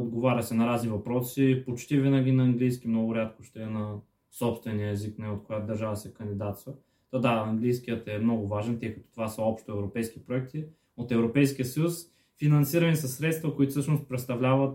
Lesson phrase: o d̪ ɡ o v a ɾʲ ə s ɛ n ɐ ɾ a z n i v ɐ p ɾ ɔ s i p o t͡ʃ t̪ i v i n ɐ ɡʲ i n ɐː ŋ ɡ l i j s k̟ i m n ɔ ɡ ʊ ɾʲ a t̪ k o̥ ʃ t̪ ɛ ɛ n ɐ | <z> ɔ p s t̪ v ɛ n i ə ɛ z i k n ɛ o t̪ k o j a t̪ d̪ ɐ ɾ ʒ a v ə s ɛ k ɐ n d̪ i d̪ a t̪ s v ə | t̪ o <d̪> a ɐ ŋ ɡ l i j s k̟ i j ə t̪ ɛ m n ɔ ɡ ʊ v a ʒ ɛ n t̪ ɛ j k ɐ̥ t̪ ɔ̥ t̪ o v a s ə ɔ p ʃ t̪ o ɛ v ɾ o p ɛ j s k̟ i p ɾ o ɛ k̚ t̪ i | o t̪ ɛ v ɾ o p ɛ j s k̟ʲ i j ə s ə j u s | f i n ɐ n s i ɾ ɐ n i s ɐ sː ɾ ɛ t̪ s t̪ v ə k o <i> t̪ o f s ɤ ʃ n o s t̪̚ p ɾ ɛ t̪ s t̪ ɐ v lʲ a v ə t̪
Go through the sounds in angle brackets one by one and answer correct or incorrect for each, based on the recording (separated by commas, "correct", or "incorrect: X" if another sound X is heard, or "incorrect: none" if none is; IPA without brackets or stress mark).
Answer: incorrect: s, correct, correct